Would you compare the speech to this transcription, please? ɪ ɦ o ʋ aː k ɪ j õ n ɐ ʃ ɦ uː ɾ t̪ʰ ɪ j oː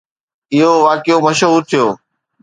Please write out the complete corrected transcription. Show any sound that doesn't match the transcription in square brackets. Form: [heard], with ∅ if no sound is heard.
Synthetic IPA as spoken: ɪ ɦ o ʋ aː k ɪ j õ [m] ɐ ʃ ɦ uː ɾ t̪ʰ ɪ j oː